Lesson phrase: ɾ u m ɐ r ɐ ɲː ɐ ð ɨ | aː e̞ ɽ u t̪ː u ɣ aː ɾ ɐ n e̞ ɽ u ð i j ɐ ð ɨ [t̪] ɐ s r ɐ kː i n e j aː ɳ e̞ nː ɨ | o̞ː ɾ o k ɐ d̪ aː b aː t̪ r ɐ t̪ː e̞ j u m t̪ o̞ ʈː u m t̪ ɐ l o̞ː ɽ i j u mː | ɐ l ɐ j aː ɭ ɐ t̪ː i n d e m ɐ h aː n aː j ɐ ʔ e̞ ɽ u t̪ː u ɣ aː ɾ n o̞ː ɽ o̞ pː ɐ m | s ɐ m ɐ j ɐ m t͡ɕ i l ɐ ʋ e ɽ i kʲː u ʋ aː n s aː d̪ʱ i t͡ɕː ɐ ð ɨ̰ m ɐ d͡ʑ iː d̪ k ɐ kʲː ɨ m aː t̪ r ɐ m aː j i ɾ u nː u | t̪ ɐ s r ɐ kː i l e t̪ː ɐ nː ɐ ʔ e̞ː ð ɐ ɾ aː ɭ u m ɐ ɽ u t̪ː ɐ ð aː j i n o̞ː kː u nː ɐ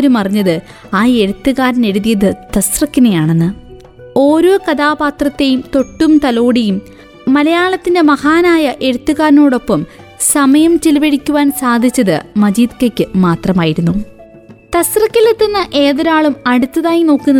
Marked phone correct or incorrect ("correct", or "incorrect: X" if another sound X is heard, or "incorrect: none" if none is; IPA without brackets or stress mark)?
correct